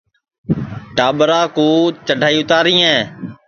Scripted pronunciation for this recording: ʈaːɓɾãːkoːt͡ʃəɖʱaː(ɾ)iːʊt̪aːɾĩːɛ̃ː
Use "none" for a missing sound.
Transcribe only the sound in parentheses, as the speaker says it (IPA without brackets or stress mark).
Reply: none